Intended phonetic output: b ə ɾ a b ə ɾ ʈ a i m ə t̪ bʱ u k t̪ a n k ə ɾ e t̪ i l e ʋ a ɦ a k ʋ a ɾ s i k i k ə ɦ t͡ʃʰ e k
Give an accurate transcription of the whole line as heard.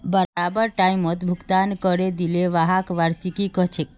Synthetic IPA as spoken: b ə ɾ a b ə ɾ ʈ a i m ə t̪ bʱ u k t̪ a n k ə ɾ e d̪ i l e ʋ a ɦ a k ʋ a ɾ s i k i k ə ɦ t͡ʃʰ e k